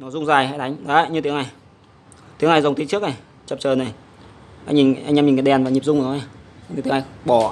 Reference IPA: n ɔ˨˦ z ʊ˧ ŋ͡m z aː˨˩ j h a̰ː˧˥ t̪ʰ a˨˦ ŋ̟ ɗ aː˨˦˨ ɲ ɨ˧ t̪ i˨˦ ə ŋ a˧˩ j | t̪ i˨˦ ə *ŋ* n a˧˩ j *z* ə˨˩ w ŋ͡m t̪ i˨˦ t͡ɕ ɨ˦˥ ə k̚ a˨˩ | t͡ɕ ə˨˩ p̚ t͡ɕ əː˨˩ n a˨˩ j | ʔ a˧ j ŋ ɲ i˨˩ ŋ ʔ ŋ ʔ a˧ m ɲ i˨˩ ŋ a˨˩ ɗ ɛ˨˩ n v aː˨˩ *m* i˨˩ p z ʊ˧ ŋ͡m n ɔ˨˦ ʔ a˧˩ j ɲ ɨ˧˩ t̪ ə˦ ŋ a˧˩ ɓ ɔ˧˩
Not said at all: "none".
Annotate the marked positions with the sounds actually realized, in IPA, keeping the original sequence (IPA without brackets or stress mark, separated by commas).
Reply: ŋ, z, ɲ